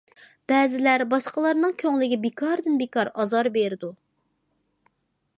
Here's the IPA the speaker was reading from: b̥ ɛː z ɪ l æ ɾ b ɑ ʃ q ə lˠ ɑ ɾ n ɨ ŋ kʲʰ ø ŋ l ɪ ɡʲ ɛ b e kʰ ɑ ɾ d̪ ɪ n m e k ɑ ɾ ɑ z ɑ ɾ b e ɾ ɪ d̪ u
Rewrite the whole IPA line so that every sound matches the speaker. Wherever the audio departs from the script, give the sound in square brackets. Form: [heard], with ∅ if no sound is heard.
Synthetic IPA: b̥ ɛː z ɪ l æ ɾ b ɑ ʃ q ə lˠ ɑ ɾ n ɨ ŋ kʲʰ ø ŋ l ɪ ɡʲ ɛ b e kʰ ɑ ɾ d̪ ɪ n [b] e k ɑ ɾ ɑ z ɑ ɾ b e ɾ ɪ d̪ u